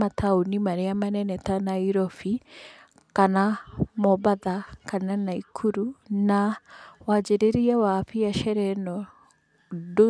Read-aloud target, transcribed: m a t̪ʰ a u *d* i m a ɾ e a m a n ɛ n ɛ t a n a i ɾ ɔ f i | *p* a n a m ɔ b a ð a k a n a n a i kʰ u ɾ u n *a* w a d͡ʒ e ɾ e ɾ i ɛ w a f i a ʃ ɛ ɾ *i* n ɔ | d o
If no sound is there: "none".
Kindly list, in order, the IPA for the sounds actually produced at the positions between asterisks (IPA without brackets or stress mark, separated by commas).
n, k, a, ɛ